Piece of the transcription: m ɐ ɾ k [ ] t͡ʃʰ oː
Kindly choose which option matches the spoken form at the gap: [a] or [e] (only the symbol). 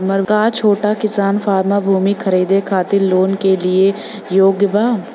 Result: a